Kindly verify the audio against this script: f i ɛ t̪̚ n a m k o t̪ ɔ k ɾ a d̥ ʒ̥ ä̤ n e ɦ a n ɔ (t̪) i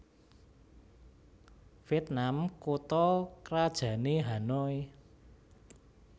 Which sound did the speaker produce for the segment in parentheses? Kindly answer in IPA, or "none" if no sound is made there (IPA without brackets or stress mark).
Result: none